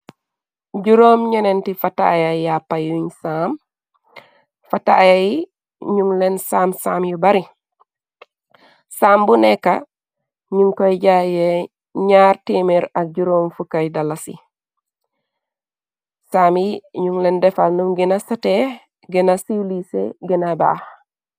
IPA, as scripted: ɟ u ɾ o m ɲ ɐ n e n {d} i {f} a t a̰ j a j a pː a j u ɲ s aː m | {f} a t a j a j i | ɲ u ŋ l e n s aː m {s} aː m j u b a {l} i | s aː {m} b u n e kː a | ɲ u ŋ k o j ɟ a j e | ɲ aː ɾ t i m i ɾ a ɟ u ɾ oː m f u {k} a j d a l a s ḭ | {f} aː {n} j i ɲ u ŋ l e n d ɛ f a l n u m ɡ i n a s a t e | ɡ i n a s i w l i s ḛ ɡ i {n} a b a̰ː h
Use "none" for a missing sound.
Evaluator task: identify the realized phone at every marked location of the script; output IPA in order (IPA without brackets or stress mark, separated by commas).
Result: t, f, f, s, ɾ, m, k, s, m, n